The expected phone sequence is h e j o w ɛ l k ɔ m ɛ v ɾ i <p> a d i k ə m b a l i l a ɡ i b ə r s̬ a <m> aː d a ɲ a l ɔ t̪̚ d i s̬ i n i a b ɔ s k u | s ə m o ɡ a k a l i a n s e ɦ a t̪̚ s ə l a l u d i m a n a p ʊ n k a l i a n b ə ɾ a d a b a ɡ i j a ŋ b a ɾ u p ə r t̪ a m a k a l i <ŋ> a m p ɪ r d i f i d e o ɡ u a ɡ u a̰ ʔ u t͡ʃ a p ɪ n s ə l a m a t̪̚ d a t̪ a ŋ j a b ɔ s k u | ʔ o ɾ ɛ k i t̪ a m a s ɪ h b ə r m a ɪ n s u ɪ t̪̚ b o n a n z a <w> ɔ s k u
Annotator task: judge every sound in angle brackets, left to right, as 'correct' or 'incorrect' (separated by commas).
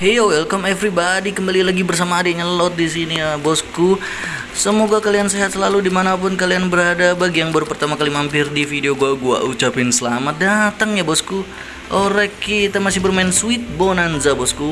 incorrect, correct, incorrect, incorrect